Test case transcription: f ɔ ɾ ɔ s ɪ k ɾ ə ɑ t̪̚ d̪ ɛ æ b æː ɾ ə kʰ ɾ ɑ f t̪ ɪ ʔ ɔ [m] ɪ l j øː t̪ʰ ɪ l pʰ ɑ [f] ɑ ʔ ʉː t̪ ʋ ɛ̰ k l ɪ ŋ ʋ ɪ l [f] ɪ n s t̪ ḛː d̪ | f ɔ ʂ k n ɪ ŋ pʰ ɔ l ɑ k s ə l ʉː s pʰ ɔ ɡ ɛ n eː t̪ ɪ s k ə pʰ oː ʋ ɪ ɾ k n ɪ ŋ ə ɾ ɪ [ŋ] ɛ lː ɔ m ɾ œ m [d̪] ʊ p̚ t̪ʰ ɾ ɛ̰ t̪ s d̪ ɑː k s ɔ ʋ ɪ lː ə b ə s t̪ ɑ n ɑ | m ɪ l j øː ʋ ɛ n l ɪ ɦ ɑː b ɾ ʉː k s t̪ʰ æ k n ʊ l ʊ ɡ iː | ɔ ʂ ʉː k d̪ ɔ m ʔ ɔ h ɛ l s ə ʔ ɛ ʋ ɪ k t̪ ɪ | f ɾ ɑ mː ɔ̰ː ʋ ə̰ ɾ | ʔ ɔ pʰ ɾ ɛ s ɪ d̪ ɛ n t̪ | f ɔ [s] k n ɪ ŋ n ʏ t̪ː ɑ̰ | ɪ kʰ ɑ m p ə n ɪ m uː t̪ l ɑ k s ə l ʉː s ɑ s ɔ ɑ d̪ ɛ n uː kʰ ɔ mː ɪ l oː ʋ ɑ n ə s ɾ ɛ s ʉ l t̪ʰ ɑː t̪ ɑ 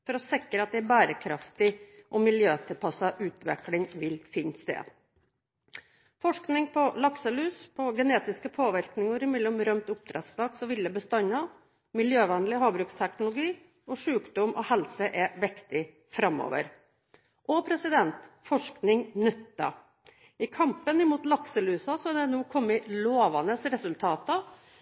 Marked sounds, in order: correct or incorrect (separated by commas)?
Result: correct, incorrect, correct, incorrect, incorrect, incorrect